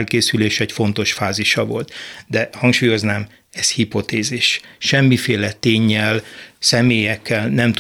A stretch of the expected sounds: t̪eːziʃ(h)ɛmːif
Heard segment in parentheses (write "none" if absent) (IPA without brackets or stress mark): ʃ